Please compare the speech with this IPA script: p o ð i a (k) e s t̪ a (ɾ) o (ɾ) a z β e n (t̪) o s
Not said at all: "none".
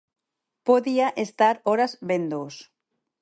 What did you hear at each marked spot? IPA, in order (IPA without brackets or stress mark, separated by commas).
ʔ, ɾ, ɾ, d̪